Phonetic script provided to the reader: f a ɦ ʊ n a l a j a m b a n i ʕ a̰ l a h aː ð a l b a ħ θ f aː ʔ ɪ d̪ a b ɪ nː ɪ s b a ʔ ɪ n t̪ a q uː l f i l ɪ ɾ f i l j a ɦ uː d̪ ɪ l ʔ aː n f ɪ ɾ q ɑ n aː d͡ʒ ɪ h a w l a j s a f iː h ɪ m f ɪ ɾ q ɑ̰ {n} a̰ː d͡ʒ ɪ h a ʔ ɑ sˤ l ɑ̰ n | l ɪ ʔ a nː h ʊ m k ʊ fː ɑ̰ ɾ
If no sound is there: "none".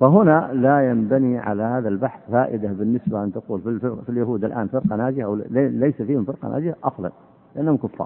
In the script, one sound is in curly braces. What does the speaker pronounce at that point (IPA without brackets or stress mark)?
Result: n